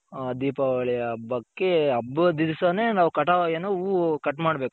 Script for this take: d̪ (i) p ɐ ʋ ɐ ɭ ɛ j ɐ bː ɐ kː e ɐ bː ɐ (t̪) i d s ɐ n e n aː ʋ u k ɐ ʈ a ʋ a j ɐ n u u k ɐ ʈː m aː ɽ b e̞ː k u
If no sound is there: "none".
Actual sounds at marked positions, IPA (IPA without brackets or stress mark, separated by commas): iː, d̪